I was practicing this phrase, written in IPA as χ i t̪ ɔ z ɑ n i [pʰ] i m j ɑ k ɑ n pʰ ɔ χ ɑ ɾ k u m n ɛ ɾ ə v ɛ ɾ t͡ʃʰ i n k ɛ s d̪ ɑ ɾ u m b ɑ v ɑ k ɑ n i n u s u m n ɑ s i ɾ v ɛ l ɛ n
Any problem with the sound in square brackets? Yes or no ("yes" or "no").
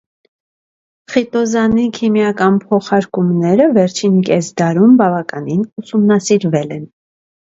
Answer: yes